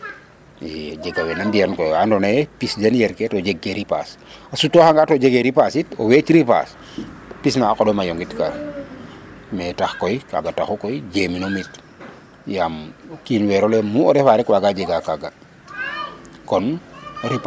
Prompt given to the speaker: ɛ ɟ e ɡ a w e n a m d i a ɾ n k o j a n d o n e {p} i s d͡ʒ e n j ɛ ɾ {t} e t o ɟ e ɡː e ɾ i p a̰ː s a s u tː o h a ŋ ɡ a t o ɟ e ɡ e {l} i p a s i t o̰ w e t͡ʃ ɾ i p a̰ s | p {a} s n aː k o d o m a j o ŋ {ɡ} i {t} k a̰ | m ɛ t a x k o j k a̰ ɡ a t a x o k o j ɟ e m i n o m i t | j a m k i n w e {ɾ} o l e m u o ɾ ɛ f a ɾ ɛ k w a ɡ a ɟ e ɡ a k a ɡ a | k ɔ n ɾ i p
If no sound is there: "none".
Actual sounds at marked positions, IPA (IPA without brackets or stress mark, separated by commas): p, k, ɾ, i, ɡ, t, ɾ